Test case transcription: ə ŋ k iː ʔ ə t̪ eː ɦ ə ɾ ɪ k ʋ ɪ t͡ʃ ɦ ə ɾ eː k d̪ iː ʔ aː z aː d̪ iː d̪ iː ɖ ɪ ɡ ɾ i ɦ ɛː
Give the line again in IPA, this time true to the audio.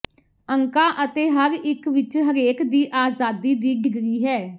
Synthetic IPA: ə ŋ k aː ʔ ə t̪ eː ɦ ə ɾ ɪ k ʋ ɪ t͡ʃ ɦ ə ɾ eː k d̪ iː ʔ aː z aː d̪ iː d̪ iː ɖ ɪ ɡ ɾ iː ɦ ɛː